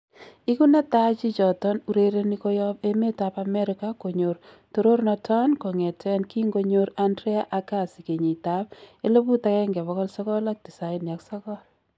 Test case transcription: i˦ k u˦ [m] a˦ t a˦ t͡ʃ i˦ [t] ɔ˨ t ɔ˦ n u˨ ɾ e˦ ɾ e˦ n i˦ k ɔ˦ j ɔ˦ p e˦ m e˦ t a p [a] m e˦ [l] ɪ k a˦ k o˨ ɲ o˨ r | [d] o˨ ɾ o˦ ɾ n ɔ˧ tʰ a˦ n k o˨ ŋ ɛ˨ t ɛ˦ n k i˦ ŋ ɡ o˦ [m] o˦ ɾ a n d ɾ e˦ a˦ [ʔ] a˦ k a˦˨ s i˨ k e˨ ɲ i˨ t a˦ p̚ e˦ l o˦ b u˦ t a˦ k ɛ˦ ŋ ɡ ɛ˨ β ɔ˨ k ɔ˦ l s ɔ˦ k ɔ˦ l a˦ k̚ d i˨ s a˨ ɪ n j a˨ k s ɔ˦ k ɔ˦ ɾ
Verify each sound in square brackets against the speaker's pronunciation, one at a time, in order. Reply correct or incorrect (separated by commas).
incorrect, incorrect, correct, incorrect, incorrect, incorrect, correct